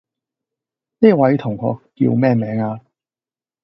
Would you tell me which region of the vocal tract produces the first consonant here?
tongue tip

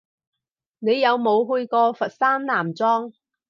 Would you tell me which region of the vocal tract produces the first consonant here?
tongue tip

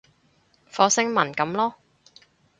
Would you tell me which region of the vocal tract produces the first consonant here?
lips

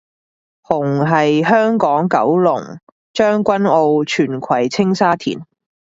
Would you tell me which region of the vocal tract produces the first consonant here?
throat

